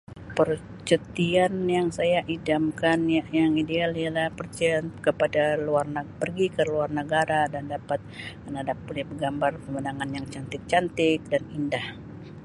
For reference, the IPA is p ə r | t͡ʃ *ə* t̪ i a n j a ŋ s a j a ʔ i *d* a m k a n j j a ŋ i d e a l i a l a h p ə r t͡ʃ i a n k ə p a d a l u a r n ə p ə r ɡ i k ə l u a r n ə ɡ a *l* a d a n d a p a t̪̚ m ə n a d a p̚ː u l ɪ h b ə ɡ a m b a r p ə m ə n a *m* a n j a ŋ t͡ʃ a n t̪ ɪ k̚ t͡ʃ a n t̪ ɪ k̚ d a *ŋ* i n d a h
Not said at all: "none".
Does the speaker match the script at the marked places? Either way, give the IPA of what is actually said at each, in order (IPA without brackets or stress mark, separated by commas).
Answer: ə, d, ɾ, ŋ, n